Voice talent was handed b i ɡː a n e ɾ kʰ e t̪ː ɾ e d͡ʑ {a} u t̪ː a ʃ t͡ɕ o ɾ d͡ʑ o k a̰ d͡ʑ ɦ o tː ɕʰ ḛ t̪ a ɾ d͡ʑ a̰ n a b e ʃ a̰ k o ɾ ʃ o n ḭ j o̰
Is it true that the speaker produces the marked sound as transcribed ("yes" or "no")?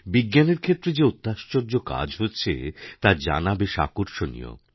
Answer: no